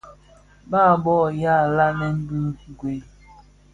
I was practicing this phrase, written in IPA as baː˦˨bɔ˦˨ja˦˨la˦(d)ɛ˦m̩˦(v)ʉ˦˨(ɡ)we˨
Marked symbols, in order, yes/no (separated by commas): no, no, yes